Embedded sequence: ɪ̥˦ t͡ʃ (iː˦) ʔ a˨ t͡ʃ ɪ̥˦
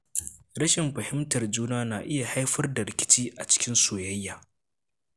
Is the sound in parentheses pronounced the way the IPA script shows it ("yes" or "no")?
yes